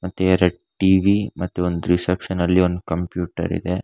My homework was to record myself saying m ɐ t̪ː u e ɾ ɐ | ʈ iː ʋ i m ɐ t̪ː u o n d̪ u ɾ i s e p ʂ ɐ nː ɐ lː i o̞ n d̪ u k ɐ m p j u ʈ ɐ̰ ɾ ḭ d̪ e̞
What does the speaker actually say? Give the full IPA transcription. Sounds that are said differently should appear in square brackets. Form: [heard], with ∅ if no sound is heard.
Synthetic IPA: m ɐ t̪ː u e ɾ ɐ | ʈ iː ʋ i m ɐ t̪ː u o n d̪ u ɾ i s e p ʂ ɐ [n] ɐ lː i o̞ n d̪ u k ɐ m p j [uː] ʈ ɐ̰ ɾ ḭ d̪ e̞